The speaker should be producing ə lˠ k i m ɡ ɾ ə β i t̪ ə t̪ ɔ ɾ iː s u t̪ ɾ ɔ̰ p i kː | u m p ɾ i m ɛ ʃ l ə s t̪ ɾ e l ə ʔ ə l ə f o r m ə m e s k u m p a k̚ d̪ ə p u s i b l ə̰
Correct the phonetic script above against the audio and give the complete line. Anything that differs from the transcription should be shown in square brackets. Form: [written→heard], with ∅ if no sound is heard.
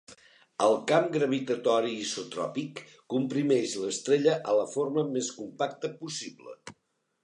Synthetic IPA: ə lˠ k [i→a] m ɡ ɾ ə β i t̪ ə t̪ ɔ ɾ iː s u t̪ ɾ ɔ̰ p i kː | u m p ɾ i m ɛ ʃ l ə s t̪ ɾ e [l→ʎ] ə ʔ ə l ə f o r m ə m e s k u m p a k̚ [d̪→t̪] ə p u s i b l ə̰